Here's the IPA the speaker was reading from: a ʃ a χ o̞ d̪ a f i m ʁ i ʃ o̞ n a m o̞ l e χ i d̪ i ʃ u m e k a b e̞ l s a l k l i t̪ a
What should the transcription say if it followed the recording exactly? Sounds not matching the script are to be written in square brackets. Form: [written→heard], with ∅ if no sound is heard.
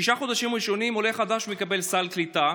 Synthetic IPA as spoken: [a→i] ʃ a χ o̞ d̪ a [f→ʃ] i m ʁ i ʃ o̞ n [a→i] m o̞ l e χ [i→a] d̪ [i→a] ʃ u m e k a b e̞ l s a l k l i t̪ a